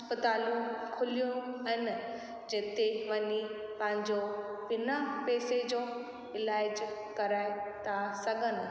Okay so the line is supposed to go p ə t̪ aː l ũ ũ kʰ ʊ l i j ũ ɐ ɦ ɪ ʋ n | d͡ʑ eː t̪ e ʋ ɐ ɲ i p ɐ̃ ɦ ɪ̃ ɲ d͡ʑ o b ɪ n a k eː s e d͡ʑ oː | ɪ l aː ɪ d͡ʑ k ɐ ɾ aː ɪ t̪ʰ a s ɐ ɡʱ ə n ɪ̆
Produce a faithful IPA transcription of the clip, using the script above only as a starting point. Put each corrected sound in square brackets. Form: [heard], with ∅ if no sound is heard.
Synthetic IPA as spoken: p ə t̪ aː l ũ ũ kʰ ʊ l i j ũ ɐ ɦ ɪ [∅] n | d͡ʑ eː t̪ e ʋ ɐ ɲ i p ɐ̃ ɦ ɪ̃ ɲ d͡ʑ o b ɪ n a [p] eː s e d͡ʑ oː | ɪ l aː ɪ d͡ʑ k ɐ ɾ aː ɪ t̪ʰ a s ɐ ɡʱ ə n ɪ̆